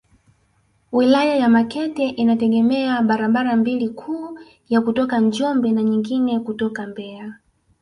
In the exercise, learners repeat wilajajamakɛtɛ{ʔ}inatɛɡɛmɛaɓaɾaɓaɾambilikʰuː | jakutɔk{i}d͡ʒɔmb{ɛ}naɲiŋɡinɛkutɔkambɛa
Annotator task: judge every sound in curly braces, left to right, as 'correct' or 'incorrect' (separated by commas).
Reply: correct, incorrect, correct